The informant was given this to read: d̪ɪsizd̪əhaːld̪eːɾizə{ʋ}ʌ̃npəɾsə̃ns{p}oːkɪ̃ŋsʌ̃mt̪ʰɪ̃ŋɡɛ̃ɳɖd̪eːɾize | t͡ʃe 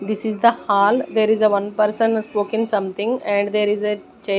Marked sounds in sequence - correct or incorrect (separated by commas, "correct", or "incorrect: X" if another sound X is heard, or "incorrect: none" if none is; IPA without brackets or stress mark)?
correct, correct